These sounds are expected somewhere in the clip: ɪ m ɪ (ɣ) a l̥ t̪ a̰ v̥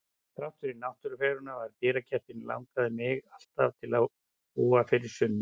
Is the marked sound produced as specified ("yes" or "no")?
yes